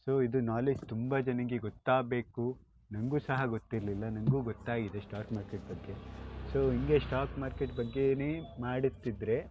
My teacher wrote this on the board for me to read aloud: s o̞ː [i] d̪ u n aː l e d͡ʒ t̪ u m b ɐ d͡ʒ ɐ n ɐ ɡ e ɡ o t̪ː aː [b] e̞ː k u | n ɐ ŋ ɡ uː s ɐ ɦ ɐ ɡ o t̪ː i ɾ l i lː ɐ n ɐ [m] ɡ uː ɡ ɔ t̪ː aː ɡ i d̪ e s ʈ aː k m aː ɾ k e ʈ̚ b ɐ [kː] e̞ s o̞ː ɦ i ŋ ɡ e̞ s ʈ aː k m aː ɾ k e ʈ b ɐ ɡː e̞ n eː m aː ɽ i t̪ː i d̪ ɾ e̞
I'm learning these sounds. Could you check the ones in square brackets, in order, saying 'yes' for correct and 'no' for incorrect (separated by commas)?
yes, yes, no, no